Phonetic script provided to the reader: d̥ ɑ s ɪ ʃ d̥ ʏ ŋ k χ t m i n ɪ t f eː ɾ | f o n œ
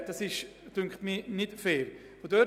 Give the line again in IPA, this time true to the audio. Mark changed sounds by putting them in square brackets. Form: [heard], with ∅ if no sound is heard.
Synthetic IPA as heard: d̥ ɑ s ɪ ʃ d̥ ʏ ŋ k χ t m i n ɪ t f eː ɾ | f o [d] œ